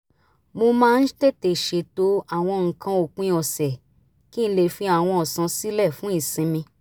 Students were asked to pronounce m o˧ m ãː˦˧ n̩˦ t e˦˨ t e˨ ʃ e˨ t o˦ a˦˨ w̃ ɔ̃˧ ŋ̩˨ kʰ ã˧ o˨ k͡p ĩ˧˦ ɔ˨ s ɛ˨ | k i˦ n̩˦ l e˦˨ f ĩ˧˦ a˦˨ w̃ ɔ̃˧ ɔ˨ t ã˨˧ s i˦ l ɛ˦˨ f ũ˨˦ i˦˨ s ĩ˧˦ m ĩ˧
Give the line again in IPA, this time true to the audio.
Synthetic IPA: m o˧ m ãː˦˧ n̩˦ t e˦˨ t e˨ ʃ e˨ t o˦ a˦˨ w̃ ɔ̃˧ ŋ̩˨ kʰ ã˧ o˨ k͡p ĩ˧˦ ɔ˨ s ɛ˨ | k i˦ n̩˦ l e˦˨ f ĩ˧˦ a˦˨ w̃ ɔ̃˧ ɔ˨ s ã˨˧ s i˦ l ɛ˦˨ f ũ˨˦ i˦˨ s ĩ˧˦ m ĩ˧